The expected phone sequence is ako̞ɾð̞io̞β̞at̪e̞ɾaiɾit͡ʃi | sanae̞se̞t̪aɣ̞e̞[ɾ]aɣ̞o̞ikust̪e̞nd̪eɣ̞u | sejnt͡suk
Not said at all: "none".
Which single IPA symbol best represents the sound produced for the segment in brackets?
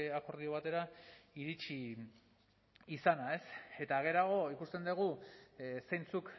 ɾ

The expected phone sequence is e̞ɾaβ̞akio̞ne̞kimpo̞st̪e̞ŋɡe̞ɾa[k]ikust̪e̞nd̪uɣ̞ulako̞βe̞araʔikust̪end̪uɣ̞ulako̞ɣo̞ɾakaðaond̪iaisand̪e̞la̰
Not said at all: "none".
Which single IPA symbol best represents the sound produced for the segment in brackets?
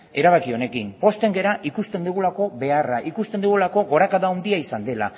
ʔ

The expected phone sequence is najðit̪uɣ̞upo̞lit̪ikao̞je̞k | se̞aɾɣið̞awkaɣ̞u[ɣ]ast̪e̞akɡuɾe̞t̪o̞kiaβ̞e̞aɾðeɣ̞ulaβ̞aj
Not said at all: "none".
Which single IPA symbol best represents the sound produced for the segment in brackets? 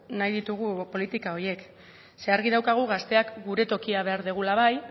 ɣ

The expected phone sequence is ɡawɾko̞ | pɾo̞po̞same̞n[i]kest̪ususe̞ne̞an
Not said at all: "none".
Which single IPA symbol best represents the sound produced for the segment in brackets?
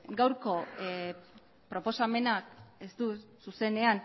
a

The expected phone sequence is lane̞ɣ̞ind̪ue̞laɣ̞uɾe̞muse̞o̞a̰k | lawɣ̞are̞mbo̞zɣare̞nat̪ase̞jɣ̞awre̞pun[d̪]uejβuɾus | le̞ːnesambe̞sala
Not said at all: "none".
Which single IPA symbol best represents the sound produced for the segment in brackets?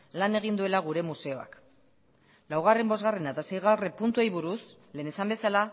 t̪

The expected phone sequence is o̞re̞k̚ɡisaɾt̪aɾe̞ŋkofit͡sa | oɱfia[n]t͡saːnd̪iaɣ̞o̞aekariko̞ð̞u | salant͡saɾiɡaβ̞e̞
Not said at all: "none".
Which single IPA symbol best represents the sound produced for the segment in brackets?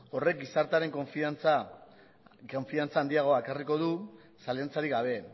n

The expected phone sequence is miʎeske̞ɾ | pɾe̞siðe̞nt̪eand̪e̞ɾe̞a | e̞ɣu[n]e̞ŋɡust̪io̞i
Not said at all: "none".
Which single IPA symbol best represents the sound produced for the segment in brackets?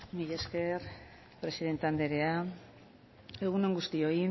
n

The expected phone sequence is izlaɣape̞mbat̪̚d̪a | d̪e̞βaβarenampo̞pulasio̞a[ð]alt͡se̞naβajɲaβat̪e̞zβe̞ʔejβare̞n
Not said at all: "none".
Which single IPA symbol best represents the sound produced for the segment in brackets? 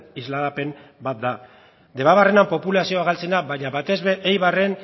ɣ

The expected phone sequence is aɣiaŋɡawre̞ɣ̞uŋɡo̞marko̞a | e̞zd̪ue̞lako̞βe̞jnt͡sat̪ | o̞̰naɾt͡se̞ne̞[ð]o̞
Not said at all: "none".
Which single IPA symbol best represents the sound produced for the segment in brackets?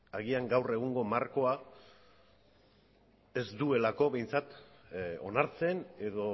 ð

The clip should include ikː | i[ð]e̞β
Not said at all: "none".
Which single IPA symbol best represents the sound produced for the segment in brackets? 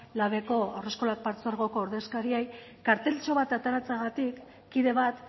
ð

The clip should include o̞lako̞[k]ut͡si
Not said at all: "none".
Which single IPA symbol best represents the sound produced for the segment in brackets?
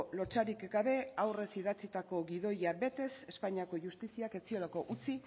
ʔ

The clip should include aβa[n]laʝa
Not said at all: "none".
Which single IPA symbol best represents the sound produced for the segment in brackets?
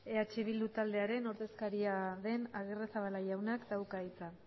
none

